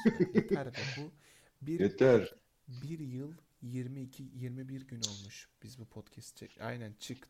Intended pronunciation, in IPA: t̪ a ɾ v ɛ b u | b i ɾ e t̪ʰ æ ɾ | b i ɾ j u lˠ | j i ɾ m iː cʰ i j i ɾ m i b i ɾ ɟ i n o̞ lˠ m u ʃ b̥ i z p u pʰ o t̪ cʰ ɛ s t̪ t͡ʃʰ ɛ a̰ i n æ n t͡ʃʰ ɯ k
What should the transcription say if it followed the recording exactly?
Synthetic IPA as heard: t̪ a ɾ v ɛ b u | b i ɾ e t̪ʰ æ ɾ | b i ɾ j ɯ lˠ | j i ɾ m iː cʰ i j i ɾ m i b i ɾ ɟ y n o̞ lˠ m u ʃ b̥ i z b u pʰ o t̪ cʰ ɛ s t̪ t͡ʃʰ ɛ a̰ j n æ n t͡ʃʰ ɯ k